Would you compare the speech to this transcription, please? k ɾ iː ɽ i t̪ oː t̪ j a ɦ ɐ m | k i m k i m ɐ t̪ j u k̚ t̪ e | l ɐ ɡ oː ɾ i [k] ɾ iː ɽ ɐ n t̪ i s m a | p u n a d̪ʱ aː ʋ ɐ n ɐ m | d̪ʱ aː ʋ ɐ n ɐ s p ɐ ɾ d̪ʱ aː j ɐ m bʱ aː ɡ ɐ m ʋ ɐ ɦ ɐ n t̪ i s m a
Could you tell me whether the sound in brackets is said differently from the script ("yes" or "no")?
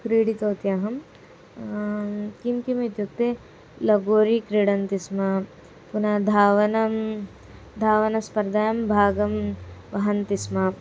no